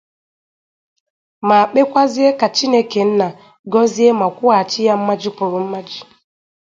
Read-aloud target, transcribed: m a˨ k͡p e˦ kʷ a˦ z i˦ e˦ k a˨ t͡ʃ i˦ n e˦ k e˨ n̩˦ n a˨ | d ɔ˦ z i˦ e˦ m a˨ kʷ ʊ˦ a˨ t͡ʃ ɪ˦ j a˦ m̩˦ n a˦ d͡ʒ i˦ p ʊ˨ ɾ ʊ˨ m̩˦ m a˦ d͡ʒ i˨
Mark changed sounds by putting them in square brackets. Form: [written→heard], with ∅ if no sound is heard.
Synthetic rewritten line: m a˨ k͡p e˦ kʷ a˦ z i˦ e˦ k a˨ t͡ʃ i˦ n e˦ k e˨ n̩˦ n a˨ | [d→ɡ] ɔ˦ z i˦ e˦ m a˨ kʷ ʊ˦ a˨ t͡ʃ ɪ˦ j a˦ m̩˦ [n→m] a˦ d͡ʒ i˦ p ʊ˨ ɾ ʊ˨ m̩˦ m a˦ d͡ʒ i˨